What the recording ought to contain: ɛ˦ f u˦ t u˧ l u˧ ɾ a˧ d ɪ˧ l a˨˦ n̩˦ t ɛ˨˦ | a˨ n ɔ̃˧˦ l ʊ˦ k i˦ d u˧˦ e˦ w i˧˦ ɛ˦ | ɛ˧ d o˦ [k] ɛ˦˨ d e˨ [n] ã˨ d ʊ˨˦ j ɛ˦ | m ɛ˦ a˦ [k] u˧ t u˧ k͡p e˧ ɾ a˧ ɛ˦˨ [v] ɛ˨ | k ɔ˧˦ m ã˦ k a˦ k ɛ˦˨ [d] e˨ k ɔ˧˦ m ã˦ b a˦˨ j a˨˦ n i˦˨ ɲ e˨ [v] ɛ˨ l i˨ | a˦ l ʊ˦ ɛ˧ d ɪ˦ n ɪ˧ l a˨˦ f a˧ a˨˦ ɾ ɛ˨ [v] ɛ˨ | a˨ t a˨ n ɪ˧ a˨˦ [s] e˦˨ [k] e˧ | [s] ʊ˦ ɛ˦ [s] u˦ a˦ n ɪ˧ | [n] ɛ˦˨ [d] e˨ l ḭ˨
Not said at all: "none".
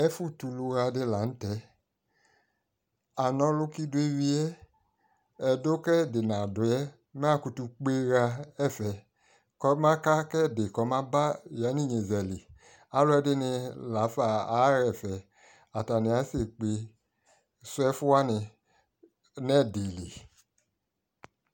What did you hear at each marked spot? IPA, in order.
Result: k, n, k, f, d, z, f, s, k͡p, s, f, n, d

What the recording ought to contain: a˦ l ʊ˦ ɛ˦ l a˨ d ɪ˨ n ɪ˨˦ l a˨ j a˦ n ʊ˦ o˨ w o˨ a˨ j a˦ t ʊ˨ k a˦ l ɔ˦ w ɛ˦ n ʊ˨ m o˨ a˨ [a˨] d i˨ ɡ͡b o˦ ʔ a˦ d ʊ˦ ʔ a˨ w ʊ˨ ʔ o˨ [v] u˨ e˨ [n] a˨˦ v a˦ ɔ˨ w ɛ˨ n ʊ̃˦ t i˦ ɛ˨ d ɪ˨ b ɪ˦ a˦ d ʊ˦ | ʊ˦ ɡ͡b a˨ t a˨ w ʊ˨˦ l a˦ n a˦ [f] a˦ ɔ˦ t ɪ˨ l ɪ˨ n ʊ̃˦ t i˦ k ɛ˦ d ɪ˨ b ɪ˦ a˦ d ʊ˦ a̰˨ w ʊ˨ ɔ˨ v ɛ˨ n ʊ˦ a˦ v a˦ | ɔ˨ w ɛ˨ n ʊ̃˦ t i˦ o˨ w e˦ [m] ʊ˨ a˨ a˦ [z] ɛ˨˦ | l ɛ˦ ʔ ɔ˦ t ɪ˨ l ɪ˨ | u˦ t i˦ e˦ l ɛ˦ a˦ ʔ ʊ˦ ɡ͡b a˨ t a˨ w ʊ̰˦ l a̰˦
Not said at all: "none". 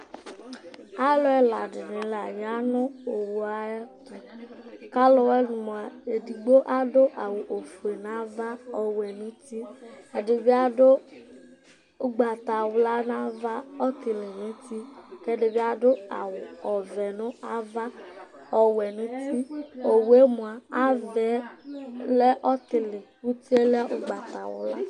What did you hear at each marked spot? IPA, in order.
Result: e˨, f, n, v, m, v

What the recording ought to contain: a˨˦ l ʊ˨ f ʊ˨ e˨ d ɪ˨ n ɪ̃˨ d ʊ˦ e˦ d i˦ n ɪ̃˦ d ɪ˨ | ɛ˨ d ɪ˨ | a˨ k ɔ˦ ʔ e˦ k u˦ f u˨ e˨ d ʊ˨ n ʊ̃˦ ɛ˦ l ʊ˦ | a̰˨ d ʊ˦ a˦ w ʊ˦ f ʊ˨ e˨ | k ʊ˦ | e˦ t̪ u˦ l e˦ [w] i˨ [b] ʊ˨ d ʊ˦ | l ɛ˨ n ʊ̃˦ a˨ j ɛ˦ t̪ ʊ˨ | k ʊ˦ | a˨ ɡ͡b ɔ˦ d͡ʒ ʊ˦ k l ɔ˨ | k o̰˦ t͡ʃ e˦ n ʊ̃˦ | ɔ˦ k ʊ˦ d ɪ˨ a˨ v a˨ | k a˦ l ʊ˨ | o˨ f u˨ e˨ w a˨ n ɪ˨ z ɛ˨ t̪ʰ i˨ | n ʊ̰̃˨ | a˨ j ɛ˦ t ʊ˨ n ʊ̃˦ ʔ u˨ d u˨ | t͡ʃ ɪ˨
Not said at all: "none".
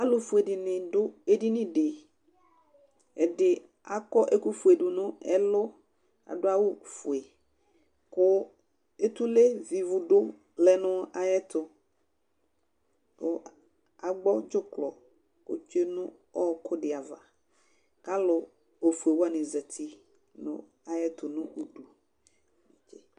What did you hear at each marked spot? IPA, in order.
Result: v, v

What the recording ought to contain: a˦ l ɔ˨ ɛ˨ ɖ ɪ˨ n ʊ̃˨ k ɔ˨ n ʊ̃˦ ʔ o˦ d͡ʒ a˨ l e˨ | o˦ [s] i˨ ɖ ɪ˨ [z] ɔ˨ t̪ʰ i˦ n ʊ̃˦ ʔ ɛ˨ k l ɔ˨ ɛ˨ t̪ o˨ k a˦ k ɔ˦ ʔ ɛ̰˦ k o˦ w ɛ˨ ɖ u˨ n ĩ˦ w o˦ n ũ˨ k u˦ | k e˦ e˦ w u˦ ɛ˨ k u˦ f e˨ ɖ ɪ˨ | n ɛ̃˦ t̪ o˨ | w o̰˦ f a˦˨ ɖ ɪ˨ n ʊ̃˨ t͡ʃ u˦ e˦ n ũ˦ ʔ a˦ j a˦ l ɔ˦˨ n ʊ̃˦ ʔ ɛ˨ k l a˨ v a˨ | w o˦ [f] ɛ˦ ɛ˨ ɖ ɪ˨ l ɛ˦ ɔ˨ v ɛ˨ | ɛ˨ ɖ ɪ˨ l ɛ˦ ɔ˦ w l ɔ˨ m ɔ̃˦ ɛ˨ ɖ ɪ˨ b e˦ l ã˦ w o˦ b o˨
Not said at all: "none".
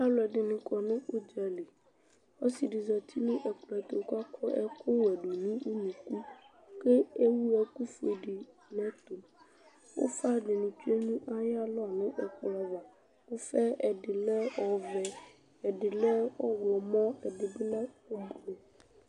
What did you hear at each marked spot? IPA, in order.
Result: s, z, f

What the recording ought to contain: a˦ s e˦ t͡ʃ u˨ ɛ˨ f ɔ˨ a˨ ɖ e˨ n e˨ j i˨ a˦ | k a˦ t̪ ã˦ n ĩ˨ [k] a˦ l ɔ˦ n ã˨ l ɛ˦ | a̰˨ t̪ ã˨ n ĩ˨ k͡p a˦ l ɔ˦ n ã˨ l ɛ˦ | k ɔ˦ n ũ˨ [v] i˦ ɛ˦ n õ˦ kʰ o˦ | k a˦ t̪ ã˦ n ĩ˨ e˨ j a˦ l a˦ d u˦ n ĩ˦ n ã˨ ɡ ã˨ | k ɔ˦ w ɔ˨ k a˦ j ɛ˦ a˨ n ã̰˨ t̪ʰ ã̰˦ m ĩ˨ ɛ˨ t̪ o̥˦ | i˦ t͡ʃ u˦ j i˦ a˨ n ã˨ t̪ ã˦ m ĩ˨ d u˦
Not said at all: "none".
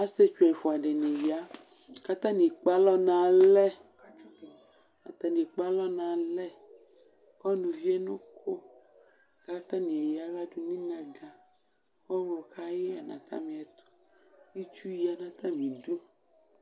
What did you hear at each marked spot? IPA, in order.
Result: k͡p, v

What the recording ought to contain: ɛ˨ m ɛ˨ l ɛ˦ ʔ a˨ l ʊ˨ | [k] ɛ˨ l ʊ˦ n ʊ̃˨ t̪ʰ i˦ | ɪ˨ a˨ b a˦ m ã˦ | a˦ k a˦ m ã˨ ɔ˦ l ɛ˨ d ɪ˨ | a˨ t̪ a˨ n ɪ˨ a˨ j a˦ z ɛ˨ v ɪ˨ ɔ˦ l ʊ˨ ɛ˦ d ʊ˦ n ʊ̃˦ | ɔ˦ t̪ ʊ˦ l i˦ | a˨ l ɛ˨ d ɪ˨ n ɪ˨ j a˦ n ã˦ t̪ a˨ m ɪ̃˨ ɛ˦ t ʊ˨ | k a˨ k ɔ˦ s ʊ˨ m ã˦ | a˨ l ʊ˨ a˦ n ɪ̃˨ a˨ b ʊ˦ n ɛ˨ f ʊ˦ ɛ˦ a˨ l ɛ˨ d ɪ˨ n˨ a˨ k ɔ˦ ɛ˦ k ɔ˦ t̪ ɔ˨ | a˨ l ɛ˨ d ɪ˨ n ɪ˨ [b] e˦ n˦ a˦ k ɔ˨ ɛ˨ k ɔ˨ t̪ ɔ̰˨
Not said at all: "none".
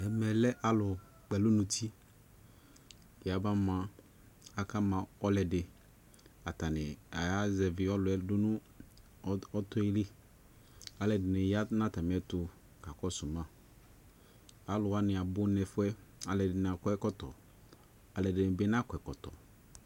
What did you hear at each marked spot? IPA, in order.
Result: k͡p, b

